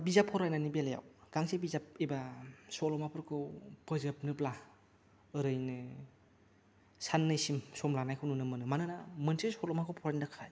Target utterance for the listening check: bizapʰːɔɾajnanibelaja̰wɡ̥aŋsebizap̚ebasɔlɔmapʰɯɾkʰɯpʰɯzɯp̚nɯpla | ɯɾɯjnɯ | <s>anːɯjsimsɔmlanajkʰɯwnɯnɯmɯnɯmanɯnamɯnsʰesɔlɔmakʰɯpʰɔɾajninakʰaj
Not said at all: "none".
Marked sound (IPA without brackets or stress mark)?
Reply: s